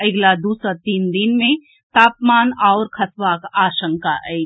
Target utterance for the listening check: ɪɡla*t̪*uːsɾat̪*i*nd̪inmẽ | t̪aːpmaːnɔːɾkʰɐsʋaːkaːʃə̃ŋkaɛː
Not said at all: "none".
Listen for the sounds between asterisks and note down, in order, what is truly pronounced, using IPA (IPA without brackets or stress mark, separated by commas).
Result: d̪, iː